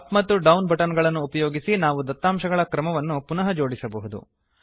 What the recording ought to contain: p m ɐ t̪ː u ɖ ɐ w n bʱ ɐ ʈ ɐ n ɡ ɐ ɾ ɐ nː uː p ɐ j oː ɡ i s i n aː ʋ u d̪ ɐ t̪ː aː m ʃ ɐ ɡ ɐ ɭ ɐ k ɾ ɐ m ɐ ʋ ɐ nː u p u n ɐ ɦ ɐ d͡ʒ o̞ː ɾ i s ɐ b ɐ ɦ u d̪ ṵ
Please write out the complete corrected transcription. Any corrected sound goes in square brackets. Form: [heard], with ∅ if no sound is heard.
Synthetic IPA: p m ɐ t̪ː u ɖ ɐ w n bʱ ɐ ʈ ɐ n ɡ ɐ [ɭ] ɐ nː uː p ɐ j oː ɡ i s i n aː ʋ u d̪ ɐ t̪ː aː m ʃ ɐ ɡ ɐ ɭ ɐ k ɾ ɐ m ɐ ʋ ɐ nː u p u n ɐ ɦ ɐ d͡ʒ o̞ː [ɽ] i s ɐ b ɐ ɦ u d̪ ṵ